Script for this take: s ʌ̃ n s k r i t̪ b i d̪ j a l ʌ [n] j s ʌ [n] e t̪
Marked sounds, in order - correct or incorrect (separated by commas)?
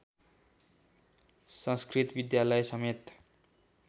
incorrect, incorrect